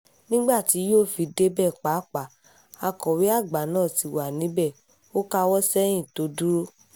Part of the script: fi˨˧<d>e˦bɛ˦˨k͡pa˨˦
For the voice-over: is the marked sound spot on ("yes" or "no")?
yes